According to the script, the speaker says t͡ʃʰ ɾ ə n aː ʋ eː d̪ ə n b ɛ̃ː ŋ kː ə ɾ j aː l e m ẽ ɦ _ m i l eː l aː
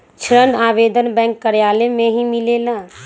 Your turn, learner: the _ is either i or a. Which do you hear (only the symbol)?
i